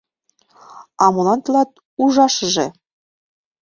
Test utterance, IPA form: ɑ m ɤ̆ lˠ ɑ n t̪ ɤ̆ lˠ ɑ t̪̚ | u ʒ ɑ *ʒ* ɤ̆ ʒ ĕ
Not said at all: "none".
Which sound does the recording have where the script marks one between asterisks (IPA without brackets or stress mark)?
ʃ